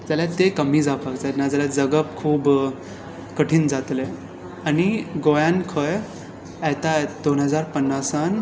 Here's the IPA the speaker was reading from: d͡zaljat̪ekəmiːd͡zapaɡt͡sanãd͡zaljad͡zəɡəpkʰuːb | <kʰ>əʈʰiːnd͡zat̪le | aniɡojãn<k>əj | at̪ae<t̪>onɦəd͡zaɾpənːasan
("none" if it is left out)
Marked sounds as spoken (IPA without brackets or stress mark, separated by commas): k, kʰ, d̪